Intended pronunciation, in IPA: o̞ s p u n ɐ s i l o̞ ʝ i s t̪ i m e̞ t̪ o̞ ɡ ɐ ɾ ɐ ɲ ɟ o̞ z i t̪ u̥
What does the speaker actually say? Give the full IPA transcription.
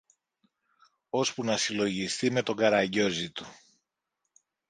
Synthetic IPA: o̞ s p u n ɐ s i l o̞ ʝ i s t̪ i m e̞ t̪ o̞ ɡ ɐ ɾ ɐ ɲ ɟ o̞ z i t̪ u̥

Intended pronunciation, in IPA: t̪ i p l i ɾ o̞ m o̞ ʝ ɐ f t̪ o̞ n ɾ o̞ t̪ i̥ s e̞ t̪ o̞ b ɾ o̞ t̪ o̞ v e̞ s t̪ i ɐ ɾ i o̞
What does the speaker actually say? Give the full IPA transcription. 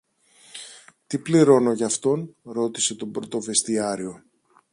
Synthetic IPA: t̪ i p l i ɾ o̞ n o̞ ʝ ɐ f t̪ o̞ n ɾ o̞ t̪ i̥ s e̞ t̪ o̞ b ɾ o̞ t̪ o̞ v e̞ s t̪ i ɐ ɾ i o̞

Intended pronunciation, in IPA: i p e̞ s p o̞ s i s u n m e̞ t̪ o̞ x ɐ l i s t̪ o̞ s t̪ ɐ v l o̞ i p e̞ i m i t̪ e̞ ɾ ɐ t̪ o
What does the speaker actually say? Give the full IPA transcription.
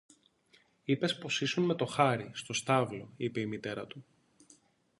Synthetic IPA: i p e̞ s p o̞ s i s u n m e̞ t̪ o̞ x ɐ ɾ i s t̪ o̞ s t̪ ɐ v l o̞ i p e̞ i m i t̪ e̞ ɾ ɐ t̪ u

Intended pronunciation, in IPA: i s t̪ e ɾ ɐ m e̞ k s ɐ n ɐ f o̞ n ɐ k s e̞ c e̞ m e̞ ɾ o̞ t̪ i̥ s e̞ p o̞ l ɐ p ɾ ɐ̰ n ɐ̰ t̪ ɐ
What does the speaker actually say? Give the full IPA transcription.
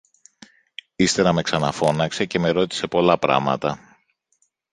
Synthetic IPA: i s t̪ e ɾ ɐ m e̞ k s ɐ n ɐ f o̞ n ɐ k s e̞ c e̞ m e̞ ɾ o̞ t̪ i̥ s e̞ p o̞ l ɐ p ɾ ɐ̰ m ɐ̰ t̪ ɐ

